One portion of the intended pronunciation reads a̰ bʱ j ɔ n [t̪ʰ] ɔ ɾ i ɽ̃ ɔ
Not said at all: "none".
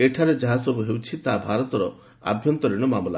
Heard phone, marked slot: t̪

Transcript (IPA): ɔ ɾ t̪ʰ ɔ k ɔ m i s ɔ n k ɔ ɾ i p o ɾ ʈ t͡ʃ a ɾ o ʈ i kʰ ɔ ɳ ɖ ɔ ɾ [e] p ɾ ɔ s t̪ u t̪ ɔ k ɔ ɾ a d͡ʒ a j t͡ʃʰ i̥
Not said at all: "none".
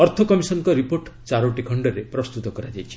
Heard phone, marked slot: e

